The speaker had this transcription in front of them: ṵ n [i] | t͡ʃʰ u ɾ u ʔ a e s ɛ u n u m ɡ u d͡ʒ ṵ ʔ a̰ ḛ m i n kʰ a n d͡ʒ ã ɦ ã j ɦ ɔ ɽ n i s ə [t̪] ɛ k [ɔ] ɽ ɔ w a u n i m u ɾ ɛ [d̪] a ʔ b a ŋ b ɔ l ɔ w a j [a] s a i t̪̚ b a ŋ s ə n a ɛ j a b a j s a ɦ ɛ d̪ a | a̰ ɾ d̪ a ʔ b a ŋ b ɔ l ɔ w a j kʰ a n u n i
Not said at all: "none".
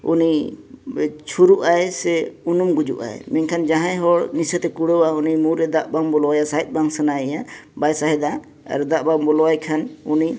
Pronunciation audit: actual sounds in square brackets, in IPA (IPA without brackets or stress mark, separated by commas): i, t̪, u, d̪, a